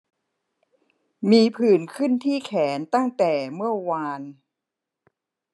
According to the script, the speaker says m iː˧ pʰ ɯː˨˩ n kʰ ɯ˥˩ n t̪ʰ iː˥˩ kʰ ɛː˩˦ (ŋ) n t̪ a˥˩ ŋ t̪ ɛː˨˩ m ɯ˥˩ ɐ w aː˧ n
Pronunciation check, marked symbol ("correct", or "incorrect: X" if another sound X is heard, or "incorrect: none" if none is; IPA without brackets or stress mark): incorrect: none